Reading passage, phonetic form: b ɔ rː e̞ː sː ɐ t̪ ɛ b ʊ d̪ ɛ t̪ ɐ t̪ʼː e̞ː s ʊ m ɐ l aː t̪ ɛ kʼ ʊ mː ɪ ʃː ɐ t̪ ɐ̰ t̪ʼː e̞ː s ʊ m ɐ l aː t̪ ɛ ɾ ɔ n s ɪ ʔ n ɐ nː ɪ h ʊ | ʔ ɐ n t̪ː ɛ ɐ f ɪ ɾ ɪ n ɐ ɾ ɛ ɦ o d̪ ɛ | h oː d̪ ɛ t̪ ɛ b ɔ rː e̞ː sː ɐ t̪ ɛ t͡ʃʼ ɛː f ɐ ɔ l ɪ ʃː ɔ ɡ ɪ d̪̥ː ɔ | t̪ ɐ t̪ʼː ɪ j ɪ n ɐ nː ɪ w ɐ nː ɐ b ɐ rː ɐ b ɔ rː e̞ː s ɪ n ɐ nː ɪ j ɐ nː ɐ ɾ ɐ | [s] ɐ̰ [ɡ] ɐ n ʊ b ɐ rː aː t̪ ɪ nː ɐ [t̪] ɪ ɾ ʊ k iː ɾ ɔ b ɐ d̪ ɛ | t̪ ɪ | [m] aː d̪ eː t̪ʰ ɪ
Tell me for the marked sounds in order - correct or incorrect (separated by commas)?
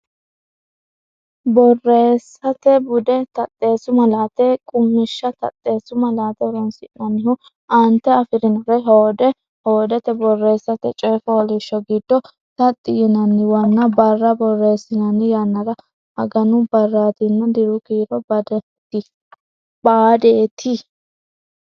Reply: incorrect, correct, incorrect, incorrect